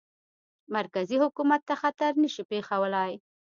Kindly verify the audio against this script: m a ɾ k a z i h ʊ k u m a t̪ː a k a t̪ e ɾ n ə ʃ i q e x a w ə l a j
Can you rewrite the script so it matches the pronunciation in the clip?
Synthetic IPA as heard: m a ɾ k a z i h ʊ k u m a t̪ː a x a t̪ a ɾ n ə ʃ i p e x a w ə l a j

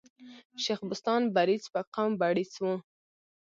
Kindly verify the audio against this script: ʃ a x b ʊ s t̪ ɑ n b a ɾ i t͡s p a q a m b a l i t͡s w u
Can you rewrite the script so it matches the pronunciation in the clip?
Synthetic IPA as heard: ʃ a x b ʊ s t̪ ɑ n b a ɾ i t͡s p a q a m b a ɽ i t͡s w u

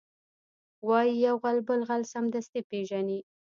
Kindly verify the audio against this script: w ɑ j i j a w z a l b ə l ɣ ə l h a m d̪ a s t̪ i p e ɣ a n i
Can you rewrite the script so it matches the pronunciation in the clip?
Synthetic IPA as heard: w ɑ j i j a w ɣ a l b ə l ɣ a l s a m d̪ a s t̪ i p e ʒ a n i

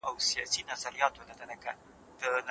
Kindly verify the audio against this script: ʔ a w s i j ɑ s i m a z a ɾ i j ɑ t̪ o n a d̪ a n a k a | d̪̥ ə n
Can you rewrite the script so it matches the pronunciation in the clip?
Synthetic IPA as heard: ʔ a w s i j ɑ s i n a z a ɾ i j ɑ t̪ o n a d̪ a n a k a | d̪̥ ə n

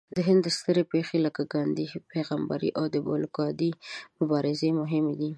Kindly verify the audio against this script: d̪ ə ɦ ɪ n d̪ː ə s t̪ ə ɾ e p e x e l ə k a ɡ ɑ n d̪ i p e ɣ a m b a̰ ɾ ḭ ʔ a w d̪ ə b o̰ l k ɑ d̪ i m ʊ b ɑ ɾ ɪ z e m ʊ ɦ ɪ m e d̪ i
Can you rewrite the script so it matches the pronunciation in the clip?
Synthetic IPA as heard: d̪ ə ɦ ɪ n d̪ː ə s t̪ ə ɾ e p e x e l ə k a ɡ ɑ n d̪ i p e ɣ a m b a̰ ɾ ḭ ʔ a w d̪ ə b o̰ l k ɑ d̪ i m ʊ b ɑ ɾ ɪ z e m ʊ ɦ ɪ m e d̪ i

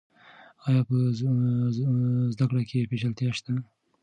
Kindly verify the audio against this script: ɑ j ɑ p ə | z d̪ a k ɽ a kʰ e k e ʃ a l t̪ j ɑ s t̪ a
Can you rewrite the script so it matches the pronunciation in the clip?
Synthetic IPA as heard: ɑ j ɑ p ə | z d̪ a k ɽ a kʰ e p e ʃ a l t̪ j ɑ ʃ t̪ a

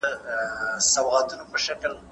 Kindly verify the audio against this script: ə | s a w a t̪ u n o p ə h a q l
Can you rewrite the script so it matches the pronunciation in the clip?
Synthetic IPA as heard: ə | s a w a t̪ u n o p ə ʃ a k l

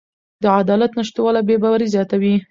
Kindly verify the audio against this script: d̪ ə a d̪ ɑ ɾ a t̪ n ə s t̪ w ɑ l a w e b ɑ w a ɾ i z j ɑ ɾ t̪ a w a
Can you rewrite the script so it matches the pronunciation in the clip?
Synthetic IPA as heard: d̪ ə a d̪ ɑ l a t̪ n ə ʃ t̪ w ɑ l a b e b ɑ w a ɾ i z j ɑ t̪ a w i

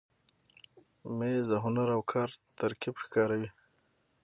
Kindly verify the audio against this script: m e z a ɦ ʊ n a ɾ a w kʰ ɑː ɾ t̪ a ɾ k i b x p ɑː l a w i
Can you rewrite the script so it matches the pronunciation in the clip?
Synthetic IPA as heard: m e z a ɦ ʊ n a ɾ a w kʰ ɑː ɾ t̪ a ɾ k i b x k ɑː ɾ a w i

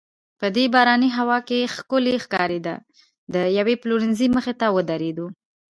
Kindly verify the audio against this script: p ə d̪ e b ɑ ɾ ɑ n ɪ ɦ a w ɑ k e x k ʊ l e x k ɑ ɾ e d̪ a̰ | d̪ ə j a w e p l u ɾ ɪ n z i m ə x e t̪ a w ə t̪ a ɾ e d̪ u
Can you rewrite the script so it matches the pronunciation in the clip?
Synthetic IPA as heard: p ə d̪ e b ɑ ɾ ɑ n i ɦ a w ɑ k e x k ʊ l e x k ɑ ɾ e d̪ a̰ | d̪ ə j a w e p l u ɾ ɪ n z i m ə x e t̪ a w ə d̪ a ɾ e d̪ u

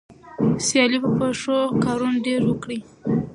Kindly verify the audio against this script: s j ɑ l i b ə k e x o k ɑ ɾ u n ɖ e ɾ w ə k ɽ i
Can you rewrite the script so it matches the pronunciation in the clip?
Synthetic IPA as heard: s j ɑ l i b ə p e ʂ o k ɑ ɾ u n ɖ e ɾ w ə k ɽ i

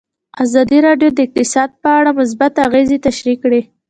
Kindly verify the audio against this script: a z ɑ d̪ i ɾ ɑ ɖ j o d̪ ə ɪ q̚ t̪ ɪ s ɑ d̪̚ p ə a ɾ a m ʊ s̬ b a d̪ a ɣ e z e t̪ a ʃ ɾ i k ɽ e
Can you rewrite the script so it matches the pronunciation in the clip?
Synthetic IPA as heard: a z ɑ d̪ i ɾ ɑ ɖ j o d̪ ə ɪ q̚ t̪ ɪ s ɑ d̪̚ p ə a ɽ a m ʊ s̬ b a t̪ a ɣ e z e t̪ a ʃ ɾ i k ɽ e

